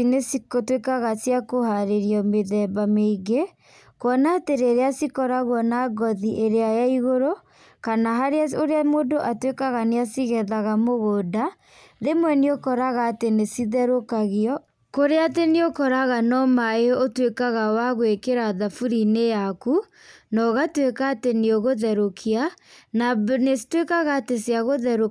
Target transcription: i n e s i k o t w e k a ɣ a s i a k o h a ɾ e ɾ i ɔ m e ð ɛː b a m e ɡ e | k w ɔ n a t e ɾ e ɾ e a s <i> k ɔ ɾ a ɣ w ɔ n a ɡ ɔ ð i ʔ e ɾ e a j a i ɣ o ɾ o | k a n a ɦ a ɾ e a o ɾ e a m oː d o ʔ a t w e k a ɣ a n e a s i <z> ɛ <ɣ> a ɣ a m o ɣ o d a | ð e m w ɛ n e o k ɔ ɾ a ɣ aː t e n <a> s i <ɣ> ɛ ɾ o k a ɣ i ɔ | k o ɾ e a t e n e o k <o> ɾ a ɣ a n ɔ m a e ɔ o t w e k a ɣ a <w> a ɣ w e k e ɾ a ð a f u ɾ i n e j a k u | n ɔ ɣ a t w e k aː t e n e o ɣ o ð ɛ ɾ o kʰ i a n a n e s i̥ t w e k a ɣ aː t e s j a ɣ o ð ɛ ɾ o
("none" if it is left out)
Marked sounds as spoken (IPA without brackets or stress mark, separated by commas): i, ɣ, ð, e, ð, ɔ, w